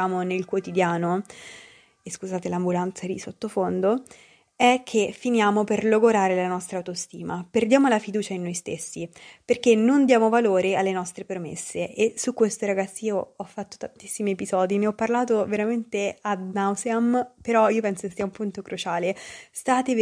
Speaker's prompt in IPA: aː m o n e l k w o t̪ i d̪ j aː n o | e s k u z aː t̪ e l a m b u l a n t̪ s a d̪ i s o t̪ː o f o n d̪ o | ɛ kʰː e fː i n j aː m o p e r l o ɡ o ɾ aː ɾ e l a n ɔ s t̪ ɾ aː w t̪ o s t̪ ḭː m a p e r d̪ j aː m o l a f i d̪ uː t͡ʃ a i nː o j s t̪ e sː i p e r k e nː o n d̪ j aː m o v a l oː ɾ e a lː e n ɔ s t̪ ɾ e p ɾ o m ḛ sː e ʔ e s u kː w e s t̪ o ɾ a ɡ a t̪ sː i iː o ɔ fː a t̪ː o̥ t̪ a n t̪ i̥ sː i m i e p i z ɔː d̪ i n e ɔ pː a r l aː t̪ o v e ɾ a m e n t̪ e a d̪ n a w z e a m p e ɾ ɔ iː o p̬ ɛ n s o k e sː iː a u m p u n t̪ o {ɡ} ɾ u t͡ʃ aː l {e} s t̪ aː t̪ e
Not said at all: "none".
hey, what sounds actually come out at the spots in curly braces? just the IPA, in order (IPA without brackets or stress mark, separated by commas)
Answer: k, e